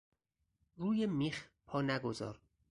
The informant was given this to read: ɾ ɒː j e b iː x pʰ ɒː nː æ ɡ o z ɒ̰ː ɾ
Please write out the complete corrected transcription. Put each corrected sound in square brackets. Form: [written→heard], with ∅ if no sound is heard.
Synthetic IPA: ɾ [ɒː→uː] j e [b→m] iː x pʰ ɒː [nː→n] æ ɡ o z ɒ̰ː ɾ

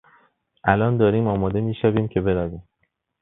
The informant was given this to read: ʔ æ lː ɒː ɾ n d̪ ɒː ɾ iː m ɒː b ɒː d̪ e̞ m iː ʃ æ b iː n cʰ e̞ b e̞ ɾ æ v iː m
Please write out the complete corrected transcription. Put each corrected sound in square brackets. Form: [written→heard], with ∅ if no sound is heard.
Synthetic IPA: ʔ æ [lː→l] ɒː [ɾ→∅] n d̪ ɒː ɾ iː m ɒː [b→m] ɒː d̪ e̞ m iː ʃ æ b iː [n→m] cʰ e̞ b e̞ ɾ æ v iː m

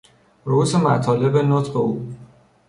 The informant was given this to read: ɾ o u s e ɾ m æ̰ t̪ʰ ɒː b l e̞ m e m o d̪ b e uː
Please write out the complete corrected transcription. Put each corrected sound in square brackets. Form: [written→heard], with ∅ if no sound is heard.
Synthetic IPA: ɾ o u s e [ɾ→∅] m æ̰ t̪ʰ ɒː [b→∅] l e̞ [m→b] e [m→n] o [d̪→t̪] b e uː

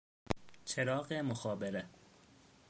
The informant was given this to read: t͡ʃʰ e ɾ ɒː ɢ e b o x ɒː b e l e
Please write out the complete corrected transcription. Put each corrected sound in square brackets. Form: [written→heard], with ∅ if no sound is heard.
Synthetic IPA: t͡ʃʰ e ɾ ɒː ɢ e [b→m] o x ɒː b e [l→ɾ] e

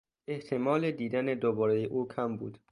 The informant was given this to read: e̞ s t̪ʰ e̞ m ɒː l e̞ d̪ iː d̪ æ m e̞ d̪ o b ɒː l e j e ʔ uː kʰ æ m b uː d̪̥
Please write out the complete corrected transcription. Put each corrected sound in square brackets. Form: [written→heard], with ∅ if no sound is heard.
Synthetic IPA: e̞ [s→h] t̪ʰ e̞ m ɒː l e̞ d̪ iː d̪ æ [m→n] e̞ d̪ o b ɒː [l→ɾ] e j e ʔ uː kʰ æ m b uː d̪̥

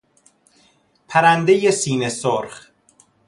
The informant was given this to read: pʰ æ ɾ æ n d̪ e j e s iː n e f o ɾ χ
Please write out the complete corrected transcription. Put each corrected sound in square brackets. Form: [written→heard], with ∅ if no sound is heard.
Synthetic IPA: pʰ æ ɾ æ n d̪ e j e s iː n e [f→s] o ɾ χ

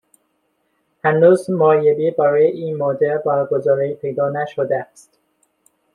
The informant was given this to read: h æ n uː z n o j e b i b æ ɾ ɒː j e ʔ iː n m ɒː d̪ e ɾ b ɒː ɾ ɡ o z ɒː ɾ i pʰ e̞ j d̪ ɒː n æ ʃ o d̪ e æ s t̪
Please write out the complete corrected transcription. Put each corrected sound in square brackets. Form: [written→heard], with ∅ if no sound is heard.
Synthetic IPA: h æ n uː z [n→m] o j e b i b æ ɾ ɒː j e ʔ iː n m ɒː d̪ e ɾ b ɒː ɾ ɡ o z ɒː ɾ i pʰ e̞ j d̪ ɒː n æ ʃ o d̪ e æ s t̪

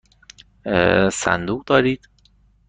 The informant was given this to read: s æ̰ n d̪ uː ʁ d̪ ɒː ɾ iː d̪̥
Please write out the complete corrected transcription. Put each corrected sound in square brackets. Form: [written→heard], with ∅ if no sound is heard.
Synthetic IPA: s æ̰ n d̪ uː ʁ d̪ ɒː ɾ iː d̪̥

